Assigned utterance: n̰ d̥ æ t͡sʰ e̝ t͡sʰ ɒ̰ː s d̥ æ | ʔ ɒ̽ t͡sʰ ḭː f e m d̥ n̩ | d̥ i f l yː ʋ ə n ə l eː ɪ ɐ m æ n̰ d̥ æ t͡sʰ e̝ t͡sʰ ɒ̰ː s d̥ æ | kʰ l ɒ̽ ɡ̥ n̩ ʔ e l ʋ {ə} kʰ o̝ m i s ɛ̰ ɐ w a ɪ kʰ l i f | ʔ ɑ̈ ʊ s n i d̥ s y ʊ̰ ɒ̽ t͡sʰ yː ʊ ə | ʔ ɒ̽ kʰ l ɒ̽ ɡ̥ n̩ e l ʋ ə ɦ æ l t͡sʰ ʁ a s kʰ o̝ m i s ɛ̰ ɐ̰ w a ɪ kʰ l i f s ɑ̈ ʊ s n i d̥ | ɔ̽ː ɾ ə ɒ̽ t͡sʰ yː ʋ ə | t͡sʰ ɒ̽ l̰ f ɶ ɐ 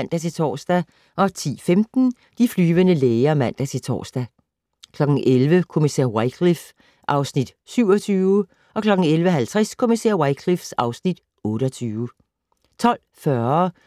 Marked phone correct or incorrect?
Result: correct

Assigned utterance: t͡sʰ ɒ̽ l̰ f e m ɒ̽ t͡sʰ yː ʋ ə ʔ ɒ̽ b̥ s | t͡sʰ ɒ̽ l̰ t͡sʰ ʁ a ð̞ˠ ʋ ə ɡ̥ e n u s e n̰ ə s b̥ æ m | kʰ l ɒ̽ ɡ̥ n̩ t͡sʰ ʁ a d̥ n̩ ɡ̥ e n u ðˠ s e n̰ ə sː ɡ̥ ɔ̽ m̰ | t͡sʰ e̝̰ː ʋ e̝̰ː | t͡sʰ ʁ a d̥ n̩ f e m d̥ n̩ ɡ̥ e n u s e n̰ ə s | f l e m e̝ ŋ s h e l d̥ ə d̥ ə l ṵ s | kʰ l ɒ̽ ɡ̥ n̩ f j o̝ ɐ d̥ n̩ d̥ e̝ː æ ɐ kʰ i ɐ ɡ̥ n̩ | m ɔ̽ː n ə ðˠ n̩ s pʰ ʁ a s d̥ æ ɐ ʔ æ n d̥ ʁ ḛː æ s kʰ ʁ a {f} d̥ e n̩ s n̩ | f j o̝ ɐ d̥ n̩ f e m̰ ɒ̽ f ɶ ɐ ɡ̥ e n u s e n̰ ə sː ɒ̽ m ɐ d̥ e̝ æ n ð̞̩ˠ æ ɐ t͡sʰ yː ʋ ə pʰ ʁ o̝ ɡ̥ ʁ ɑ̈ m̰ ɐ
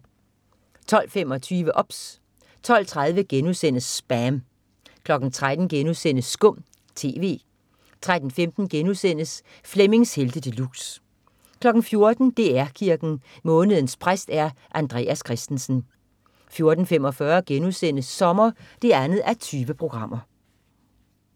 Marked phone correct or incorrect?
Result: incorrect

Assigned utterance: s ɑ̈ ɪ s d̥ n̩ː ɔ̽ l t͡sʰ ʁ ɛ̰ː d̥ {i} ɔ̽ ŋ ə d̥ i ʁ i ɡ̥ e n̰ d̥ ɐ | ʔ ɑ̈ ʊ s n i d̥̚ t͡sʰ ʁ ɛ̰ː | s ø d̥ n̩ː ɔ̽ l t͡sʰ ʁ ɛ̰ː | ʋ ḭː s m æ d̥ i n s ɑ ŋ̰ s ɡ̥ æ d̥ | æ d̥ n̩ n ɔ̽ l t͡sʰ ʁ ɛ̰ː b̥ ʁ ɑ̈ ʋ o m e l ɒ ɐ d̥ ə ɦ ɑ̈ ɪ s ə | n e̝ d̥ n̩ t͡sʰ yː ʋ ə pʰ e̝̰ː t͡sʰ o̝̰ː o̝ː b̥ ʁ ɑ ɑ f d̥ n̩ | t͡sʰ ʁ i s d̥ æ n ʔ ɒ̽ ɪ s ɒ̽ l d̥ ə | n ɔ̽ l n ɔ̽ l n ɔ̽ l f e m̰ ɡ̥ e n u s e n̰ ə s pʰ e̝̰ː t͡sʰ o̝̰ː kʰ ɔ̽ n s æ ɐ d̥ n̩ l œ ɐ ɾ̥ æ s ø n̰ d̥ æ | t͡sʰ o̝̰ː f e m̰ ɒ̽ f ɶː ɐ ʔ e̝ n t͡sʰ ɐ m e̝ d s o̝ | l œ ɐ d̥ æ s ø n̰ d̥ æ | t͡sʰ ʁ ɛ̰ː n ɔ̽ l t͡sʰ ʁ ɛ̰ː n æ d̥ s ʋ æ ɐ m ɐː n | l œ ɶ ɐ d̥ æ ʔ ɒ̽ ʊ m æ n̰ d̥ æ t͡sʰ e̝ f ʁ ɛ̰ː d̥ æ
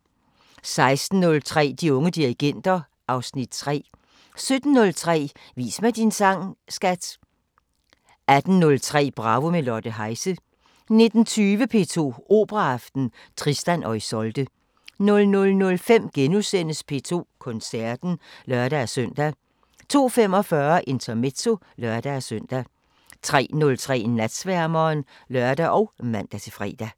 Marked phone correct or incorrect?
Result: correct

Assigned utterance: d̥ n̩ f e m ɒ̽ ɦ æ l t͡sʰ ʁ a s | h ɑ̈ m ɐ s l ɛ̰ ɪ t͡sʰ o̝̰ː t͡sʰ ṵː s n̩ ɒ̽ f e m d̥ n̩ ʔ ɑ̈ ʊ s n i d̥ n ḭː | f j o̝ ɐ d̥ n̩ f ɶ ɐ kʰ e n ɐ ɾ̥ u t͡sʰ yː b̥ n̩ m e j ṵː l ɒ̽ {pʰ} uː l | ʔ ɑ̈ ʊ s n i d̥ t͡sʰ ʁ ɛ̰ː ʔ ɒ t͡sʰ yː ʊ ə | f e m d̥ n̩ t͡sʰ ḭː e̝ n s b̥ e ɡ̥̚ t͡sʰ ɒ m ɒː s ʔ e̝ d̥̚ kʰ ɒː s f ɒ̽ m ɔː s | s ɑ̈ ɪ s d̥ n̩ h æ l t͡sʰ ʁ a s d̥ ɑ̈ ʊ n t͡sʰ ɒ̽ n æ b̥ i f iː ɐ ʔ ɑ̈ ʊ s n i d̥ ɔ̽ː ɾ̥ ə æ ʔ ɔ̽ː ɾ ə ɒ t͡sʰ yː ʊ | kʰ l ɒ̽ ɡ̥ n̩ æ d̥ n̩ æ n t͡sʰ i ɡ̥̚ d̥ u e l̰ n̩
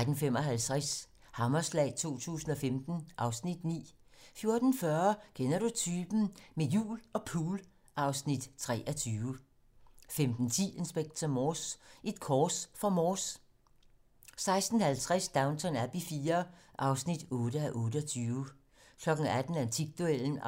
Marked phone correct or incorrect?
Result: correct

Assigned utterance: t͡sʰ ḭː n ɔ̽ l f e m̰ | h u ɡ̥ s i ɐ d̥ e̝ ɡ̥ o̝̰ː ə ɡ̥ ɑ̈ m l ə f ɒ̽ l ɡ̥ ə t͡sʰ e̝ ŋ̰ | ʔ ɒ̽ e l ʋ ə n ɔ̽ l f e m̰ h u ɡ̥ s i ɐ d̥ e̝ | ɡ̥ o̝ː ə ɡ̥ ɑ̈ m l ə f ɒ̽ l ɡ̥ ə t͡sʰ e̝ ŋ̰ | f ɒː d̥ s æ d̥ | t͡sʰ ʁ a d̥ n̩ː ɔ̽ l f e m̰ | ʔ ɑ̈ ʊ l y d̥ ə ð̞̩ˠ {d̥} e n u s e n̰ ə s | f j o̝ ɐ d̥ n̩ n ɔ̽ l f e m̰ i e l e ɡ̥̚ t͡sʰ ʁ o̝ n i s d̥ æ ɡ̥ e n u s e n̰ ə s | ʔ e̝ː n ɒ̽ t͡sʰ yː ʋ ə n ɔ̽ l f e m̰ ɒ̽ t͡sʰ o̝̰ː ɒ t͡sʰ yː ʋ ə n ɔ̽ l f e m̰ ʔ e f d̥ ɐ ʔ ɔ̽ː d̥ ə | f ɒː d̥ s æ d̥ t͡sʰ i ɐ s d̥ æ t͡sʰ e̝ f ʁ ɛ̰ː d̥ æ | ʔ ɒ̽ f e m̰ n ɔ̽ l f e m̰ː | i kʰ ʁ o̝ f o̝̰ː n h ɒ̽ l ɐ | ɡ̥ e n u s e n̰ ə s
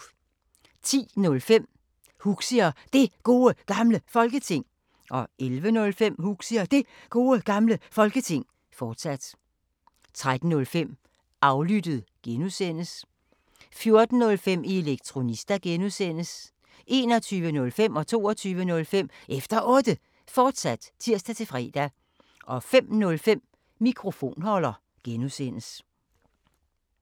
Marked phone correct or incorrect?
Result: incorrect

